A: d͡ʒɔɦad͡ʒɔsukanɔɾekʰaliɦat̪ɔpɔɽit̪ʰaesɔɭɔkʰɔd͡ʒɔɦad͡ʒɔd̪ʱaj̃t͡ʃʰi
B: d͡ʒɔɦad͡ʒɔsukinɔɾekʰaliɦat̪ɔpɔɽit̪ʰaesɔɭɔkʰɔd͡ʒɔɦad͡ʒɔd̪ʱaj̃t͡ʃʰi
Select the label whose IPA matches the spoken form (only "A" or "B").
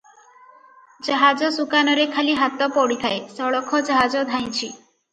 A